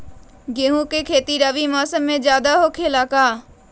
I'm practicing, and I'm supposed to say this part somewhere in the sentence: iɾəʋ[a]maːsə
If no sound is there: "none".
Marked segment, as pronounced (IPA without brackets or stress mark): i